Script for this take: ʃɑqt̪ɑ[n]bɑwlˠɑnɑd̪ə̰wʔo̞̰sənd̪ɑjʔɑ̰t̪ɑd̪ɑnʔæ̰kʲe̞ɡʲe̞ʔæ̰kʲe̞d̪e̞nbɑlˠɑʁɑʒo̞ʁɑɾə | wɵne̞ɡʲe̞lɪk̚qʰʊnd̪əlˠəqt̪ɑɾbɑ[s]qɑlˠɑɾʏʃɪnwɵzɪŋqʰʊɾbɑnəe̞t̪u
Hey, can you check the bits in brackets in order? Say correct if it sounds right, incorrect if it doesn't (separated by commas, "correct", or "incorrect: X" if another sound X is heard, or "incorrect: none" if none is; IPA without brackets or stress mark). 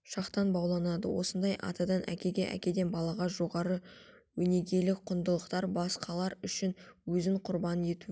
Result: correct, correct